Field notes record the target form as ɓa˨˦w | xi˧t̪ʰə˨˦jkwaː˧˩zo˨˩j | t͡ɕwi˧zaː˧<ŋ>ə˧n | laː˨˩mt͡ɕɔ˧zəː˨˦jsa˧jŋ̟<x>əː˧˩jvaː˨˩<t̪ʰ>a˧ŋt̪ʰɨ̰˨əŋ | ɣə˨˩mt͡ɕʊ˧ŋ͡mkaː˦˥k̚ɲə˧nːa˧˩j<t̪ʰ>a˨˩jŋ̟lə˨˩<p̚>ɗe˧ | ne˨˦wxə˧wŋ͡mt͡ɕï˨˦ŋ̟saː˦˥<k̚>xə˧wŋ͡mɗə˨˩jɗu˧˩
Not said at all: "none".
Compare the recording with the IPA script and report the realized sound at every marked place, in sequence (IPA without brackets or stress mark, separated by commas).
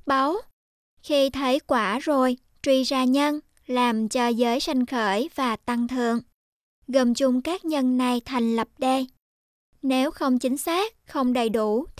ɲ, x, t̪, t̪ʰ, p̚, k̚